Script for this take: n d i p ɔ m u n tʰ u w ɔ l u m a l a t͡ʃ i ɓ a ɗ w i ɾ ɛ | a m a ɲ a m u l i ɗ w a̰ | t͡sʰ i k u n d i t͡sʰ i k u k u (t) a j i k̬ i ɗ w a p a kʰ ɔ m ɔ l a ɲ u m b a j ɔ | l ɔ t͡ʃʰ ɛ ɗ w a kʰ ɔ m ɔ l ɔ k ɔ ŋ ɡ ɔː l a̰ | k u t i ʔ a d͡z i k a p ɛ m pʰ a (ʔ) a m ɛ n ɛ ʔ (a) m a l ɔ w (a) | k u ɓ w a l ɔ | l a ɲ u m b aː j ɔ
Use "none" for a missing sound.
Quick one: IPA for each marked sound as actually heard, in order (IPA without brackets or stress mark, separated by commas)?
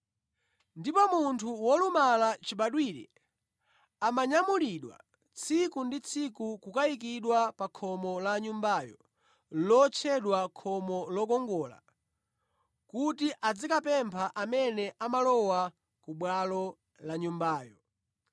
k, ʔ, a, a